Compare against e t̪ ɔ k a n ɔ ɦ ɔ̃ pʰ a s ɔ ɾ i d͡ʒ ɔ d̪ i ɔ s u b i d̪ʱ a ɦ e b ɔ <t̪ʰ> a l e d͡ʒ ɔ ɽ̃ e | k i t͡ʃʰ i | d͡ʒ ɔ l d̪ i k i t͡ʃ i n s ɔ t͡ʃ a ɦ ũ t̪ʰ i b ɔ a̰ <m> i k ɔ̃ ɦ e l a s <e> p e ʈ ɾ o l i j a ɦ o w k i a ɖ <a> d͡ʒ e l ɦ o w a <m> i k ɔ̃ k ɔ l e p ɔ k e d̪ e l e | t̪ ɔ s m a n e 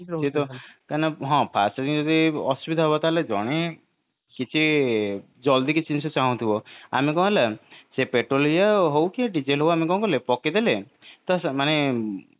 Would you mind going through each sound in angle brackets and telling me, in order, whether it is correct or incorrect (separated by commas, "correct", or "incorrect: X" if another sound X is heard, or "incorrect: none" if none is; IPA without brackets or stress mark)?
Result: incorrect: t̪, correct, correct, incorrect: i, correct